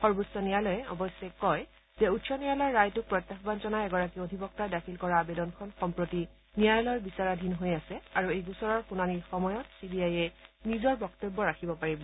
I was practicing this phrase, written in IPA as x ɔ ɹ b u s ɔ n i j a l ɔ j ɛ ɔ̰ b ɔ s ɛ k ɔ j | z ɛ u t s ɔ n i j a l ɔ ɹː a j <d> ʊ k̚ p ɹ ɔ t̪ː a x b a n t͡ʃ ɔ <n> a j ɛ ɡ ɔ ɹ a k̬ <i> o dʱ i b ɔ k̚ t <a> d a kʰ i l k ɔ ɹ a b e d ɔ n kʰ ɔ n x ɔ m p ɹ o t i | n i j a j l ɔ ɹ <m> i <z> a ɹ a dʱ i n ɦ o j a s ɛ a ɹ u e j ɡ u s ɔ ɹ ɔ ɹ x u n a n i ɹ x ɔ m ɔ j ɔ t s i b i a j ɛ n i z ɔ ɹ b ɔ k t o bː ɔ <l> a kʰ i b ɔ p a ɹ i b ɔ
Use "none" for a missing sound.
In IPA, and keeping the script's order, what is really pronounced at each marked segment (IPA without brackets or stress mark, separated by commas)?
t, n, i, a, b, s, ɹ